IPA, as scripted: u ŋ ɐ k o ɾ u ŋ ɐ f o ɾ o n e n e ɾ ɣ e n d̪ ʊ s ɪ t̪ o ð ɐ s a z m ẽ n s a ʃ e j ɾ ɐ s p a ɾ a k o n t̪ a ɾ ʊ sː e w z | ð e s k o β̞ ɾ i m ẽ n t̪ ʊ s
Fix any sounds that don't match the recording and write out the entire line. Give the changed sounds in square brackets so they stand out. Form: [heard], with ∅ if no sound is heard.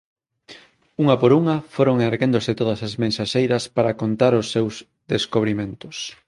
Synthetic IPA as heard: u ŋ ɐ [p] o ɾ u ŋ ɐ f o ɾ o [ŋ] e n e ɾ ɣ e n d̪ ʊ s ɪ t̪ o ð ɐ s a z m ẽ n s a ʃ e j ɾ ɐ s p a ɾ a k o n t̪ a ɾ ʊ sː e w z | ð e s k o β̞ ɾ i m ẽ n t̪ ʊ s